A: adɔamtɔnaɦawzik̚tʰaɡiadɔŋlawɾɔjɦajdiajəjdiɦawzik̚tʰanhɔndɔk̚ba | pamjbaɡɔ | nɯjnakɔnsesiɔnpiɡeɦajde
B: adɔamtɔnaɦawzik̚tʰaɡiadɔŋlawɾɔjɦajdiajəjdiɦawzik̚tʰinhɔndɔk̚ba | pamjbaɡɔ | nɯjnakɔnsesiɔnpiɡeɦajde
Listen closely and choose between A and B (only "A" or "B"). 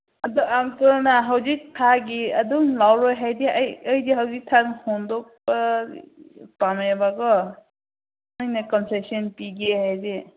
A